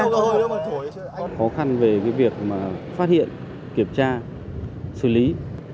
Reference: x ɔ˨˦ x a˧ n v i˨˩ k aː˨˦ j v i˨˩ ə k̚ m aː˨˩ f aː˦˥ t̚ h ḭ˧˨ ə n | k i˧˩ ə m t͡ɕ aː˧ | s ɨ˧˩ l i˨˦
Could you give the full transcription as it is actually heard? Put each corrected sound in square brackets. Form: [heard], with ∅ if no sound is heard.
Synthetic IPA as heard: x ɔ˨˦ x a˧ n v [e˨˩] k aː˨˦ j v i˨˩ ə k̚ m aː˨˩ f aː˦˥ t̚ h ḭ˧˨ ə n | k i˧˩ ə m t͡ɕ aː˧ | s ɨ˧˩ l i˨˦